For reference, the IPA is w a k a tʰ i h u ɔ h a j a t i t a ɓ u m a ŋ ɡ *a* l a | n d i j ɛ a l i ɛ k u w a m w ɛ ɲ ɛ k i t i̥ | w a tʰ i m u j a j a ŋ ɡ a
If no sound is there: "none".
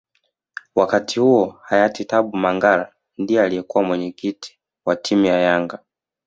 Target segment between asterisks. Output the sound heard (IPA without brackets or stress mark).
a